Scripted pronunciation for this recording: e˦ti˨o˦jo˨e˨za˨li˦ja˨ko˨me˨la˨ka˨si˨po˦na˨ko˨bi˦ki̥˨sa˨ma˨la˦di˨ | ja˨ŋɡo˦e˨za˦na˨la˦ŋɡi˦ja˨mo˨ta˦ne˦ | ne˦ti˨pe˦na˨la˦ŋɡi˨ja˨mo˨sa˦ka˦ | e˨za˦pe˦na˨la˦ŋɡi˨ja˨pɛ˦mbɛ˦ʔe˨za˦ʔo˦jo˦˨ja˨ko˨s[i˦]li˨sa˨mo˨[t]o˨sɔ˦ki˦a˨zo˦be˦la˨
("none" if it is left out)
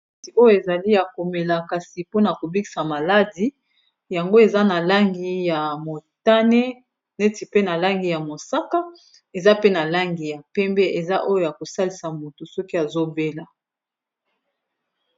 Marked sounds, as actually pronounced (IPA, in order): a˦, t

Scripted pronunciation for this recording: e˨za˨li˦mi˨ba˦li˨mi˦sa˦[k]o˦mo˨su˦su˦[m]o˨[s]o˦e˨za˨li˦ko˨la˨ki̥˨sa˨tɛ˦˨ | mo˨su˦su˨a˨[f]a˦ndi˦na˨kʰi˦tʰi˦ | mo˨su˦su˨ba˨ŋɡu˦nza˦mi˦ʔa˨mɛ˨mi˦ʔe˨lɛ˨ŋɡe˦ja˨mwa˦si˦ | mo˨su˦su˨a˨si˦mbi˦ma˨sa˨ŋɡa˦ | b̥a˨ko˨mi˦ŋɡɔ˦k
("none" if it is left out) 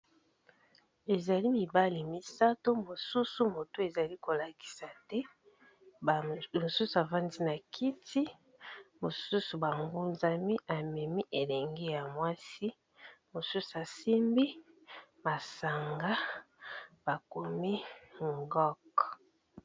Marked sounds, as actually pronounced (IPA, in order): t, m, t, v

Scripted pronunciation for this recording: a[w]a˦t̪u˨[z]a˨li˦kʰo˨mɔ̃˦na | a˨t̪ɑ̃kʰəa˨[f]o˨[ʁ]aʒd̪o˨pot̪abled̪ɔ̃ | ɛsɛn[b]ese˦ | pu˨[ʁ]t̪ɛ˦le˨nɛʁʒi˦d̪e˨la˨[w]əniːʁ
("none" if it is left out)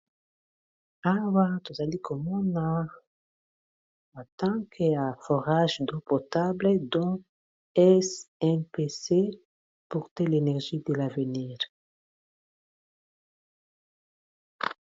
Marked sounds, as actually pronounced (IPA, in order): w, z, f, ʁ, p, ʁ, v

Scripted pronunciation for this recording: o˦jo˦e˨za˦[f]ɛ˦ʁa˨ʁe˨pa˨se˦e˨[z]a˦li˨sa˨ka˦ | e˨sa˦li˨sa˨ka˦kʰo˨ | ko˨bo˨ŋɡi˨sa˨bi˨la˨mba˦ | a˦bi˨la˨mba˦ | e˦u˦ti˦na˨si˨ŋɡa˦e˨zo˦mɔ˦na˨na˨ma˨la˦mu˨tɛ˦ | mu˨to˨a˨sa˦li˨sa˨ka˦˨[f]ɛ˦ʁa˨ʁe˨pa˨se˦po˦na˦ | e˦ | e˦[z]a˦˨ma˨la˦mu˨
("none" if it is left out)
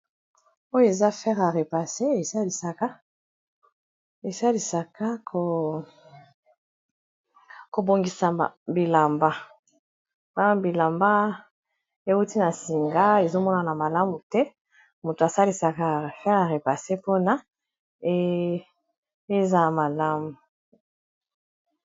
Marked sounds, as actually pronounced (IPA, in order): f, s, f, z

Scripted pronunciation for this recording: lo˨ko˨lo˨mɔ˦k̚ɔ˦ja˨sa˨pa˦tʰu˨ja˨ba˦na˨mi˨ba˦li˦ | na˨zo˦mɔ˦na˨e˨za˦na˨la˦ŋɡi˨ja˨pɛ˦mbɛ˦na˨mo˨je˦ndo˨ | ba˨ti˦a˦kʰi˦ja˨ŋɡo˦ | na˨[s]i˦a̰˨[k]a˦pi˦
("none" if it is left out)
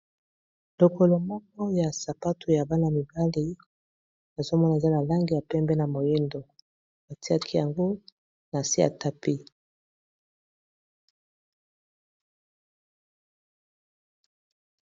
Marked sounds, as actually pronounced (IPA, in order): s, t

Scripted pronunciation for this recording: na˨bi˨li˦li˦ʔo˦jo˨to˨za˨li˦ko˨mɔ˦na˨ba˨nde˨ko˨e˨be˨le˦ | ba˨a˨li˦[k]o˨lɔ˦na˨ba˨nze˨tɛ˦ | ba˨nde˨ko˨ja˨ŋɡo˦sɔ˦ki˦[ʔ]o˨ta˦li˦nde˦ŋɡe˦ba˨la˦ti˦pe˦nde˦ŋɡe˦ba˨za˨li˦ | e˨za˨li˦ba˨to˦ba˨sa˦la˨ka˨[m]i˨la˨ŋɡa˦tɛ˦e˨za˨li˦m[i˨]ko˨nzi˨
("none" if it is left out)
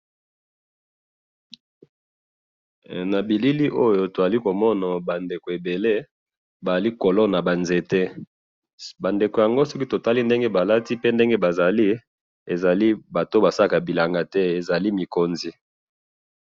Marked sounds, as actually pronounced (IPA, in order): k, t, b, i˨

